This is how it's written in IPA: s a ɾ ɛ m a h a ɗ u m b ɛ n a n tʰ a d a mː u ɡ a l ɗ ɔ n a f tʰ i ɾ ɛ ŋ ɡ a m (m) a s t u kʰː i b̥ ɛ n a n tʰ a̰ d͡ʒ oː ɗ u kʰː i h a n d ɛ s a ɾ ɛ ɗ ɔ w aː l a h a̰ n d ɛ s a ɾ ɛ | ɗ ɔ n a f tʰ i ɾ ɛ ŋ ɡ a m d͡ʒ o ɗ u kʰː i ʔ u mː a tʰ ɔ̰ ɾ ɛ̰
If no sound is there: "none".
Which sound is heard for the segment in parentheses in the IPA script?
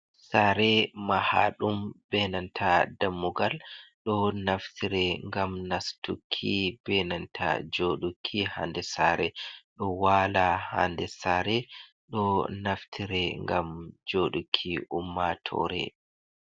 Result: n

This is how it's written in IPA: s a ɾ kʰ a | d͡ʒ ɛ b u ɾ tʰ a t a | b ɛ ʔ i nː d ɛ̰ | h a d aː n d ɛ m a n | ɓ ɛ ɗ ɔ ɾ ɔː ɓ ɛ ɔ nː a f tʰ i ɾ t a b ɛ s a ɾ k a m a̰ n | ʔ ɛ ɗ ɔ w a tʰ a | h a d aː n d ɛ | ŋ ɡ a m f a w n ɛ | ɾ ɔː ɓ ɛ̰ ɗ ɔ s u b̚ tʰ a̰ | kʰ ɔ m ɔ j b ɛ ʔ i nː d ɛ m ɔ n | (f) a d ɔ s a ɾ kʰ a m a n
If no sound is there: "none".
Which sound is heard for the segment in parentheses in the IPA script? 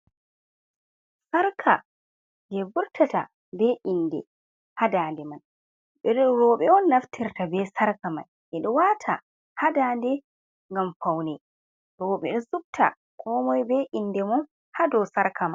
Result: h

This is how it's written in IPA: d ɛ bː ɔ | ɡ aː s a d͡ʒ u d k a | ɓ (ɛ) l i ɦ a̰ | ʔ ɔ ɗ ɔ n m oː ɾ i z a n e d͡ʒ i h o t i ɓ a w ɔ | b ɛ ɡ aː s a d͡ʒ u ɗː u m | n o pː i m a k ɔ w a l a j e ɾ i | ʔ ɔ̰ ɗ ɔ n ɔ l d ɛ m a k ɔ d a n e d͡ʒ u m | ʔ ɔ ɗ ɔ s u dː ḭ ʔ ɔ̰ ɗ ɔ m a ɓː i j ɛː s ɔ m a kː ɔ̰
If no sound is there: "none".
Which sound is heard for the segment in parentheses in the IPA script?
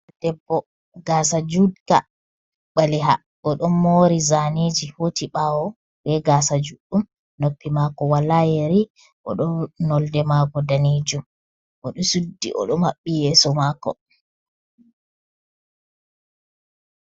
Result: a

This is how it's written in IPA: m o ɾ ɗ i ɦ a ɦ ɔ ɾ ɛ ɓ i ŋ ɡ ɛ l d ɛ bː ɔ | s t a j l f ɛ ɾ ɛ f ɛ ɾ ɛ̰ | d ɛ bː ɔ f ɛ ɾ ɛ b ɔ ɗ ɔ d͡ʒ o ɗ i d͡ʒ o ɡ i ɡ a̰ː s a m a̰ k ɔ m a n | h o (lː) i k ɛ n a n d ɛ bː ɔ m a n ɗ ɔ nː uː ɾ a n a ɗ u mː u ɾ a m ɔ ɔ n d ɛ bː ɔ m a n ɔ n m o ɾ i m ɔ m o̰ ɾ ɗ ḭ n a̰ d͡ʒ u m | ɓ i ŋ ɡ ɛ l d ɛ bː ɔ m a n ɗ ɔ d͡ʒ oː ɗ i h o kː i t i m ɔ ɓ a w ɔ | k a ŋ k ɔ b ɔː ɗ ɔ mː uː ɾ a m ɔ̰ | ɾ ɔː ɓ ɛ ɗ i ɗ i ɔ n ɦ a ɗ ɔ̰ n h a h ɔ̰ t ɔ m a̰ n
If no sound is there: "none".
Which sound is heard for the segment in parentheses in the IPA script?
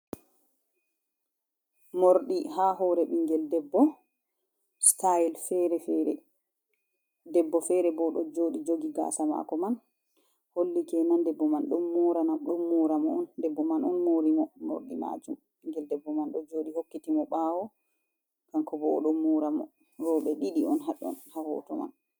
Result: lː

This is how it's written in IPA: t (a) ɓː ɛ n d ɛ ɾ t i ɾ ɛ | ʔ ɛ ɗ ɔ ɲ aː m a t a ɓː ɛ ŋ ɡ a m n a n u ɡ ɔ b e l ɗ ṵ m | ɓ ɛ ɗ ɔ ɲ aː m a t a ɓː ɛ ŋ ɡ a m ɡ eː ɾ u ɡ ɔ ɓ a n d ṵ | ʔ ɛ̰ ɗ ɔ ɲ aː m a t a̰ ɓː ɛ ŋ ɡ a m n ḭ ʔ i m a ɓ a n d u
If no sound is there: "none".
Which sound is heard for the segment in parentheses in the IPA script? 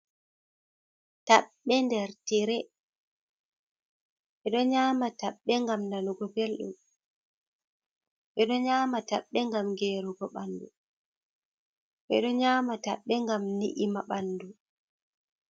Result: a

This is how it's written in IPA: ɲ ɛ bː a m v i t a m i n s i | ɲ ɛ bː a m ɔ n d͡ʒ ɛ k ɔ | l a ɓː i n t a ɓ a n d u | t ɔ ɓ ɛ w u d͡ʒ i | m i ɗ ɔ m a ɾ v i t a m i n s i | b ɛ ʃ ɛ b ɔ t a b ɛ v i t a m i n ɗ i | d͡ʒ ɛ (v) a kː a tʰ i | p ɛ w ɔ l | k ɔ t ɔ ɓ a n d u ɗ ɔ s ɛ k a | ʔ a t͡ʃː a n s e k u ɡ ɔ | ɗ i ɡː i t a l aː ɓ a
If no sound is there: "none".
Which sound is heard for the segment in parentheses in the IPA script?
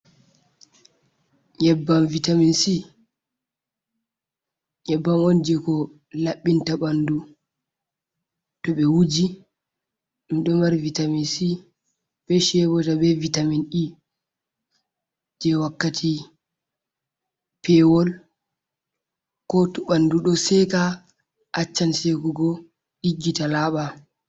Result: w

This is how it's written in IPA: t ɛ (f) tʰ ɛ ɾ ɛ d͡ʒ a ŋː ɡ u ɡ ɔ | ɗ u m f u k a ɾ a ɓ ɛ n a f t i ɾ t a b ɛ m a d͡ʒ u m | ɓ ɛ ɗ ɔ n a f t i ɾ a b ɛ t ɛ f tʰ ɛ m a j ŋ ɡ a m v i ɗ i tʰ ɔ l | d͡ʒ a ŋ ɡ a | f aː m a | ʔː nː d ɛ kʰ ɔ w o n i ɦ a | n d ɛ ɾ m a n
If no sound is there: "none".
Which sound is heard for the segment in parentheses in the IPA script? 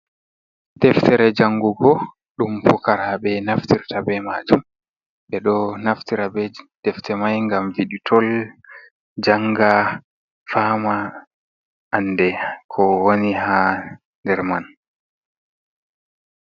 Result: f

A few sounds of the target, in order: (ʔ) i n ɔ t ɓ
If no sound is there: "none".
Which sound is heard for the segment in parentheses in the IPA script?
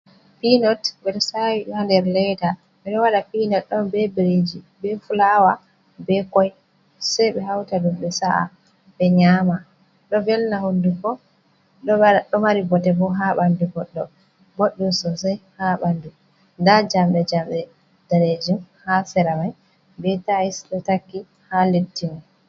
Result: p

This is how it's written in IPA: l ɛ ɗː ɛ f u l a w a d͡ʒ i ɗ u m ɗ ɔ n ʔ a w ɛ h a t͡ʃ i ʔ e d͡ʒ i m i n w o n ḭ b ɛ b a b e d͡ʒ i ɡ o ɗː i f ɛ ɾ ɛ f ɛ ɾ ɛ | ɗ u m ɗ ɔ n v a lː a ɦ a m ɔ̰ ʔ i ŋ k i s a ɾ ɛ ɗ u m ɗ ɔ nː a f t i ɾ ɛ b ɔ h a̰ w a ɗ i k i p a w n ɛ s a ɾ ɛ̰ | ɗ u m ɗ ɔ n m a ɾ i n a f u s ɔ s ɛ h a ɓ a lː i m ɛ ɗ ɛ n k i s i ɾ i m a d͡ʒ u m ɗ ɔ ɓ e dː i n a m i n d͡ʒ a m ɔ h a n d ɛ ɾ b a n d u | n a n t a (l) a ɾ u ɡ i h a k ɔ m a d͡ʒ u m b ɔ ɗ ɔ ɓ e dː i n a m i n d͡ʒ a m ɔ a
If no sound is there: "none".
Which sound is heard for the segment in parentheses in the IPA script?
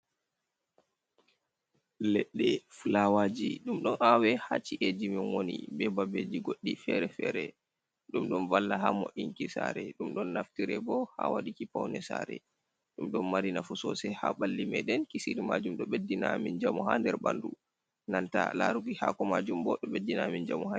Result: l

